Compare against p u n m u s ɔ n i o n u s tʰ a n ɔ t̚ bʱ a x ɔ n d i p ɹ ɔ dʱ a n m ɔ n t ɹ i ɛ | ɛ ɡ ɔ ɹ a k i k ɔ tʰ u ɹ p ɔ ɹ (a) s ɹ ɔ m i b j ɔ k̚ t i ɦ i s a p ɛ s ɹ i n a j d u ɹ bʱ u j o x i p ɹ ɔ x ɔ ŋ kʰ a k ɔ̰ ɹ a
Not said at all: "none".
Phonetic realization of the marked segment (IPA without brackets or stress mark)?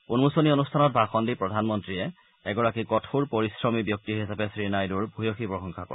i